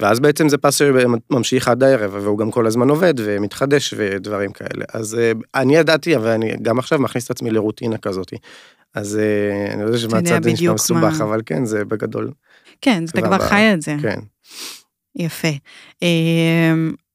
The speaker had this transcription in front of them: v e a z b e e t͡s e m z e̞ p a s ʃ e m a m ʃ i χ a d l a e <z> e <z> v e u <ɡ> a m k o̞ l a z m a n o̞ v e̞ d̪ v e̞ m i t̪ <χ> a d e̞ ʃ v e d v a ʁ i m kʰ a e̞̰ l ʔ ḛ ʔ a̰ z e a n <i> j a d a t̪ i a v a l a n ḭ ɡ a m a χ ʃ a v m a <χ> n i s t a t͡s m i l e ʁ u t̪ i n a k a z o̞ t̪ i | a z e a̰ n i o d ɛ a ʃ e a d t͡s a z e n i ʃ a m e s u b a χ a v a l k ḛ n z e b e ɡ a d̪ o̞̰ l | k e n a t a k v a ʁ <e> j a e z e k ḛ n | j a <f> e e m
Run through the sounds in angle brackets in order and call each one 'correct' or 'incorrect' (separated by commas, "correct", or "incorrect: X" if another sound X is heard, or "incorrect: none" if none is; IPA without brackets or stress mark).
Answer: incorrect: ʁ, incorrect: v, correct, correct, correct, correct, incorrect: a, correct